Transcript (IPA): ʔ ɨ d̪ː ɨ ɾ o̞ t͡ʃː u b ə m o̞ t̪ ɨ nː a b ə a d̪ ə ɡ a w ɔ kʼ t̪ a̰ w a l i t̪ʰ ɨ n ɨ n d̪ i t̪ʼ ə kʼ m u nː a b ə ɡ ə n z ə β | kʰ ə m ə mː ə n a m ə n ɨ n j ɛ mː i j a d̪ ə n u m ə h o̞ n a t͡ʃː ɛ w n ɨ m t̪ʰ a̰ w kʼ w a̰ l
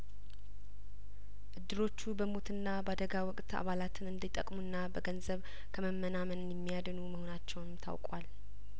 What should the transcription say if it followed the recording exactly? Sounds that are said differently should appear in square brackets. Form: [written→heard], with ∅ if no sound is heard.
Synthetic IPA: ʔ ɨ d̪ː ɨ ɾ o̞ t͡ʃː u b ə m o̞ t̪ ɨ nː a b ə a d̪ ə ɡ a w ɔ kʼ t̪ a̰ [w→β] a l [i→a] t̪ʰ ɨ n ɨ n d̪ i t̪ʼ ə kʼ m u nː a b ə ɡ ə n z ə β | kʰ ə m ə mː ə n a m ə n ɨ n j ɛ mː i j a d̪ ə n u m ə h o̞ n a t͡ʃː ɛ w n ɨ m t̪ʰ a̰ w kʼ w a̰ l